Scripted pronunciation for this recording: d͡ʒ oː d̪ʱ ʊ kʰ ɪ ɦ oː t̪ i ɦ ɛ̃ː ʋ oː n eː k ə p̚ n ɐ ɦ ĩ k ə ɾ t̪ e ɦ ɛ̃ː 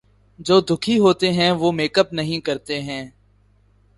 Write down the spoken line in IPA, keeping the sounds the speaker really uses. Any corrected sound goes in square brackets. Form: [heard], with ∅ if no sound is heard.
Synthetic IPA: d͡ʒ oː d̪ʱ ʊ kʰ [i] ɦ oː t̪ [e] ɦ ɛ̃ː ʋ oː [m] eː k ə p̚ n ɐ ɦ ĩ k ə ɾ t̪ e ɦ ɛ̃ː